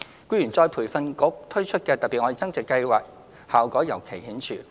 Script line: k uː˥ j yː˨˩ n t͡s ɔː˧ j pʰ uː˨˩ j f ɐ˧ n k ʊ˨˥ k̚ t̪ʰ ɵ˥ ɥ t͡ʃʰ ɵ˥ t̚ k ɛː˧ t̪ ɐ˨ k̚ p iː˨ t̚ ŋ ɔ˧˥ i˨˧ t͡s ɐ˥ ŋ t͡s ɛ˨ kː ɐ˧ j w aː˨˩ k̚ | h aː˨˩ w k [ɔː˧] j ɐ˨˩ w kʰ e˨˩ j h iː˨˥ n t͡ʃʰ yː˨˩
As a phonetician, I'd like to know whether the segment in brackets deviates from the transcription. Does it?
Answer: yes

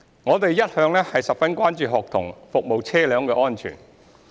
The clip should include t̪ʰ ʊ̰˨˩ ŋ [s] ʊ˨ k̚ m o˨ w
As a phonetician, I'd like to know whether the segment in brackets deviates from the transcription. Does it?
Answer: yes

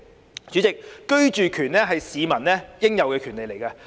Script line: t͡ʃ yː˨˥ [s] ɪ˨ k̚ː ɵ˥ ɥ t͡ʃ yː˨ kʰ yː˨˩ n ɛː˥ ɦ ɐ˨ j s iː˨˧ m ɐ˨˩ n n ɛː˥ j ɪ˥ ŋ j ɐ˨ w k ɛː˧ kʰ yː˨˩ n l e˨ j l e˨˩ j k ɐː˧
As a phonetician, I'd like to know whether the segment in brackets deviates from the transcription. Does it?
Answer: yes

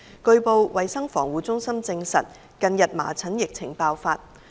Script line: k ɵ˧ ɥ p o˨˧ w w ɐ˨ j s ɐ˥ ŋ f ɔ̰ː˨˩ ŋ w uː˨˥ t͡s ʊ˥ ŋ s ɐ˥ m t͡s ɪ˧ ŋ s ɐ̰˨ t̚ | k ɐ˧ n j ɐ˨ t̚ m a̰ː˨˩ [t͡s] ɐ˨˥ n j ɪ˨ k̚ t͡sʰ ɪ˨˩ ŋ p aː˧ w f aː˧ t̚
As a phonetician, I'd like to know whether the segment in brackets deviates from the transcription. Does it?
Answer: yes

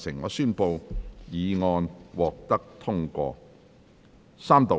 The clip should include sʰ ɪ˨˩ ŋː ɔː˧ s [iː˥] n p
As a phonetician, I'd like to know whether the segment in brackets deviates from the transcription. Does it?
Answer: yes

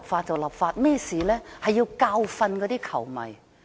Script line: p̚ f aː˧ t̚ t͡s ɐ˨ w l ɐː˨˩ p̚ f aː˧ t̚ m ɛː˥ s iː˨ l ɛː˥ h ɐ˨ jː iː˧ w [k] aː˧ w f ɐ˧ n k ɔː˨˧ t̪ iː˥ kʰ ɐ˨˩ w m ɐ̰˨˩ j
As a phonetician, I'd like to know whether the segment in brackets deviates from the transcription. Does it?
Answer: no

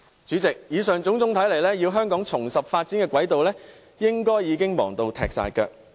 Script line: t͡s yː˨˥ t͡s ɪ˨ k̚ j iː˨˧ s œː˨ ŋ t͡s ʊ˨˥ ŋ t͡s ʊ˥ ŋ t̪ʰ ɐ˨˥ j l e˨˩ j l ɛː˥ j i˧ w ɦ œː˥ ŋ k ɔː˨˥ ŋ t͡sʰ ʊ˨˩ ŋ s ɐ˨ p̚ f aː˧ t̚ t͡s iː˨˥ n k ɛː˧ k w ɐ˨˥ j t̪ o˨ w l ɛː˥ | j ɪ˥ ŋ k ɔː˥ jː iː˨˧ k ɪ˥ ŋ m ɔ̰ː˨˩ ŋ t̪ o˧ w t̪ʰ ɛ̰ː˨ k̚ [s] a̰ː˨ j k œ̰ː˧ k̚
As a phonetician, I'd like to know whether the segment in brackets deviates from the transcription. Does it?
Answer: no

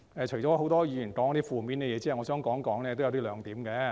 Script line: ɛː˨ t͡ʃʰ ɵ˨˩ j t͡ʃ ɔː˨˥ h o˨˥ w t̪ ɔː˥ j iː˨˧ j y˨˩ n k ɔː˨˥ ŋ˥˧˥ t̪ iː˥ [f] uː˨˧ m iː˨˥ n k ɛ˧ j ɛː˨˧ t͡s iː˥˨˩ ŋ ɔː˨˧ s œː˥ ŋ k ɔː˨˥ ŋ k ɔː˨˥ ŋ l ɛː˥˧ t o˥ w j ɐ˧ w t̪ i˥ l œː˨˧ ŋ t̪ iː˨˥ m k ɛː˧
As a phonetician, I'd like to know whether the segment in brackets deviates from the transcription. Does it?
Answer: no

